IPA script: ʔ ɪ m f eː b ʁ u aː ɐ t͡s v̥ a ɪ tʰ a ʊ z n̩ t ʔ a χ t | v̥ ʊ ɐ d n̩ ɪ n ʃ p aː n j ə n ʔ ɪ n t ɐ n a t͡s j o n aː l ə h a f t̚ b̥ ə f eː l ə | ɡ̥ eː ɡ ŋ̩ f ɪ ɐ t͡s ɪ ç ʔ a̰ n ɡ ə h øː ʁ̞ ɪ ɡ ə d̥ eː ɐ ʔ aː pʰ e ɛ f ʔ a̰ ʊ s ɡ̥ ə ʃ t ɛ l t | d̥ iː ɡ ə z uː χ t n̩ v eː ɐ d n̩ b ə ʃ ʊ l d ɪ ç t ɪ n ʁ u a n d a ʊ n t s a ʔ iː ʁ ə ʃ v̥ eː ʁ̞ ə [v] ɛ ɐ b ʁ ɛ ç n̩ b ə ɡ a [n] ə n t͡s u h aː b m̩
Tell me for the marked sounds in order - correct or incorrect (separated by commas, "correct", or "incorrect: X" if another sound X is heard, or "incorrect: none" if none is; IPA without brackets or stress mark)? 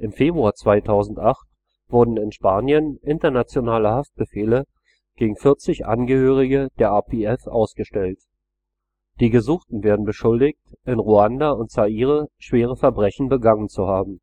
incorrect: f, incorrect: ŋ